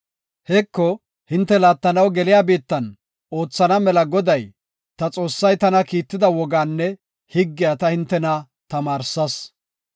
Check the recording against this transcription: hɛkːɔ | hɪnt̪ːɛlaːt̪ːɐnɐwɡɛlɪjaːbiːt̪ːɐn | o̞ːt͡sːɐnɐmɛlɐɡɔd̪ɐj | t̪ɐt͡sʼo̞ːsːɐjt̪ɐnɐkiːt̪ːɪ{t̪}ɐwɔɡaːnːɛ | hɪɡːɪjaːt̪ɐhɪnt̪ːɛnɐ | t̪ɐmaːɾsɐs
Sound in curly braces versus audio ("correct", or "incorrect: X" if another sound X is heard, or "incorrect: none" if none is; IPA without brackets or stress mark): incorrect: d̪